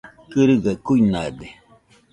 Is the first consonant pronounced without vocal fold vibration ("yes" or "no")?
yes